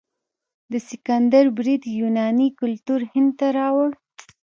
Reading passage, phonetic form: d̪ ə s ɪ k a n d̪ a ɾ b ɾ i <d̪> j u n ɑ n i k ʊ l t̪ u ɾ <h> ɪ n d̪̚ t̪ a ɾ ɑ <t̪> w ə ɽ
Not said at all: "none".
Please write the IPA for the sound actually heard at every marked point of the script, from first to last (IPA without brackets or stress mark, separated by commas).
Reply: d̪, h, none